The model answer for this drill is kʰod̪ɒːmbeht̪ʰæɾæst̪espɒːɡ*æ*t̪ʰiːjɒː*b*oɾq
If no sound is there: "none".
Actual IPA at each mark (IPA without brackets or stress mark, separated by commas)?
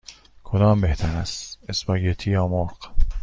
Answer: e, m